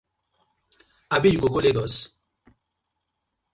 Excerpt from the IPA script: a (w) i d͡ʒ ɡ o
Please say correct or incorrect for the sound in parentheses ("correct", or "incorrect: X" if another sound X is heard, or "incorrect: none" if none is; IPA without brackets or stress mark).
incorrect: b